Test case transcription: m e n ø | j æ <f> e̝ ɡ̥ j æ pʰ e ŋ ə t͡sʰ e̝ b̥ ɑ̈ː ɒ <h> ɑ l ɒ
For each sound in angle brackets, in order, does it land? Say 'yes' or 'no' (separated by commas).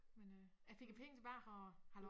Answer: yes, yes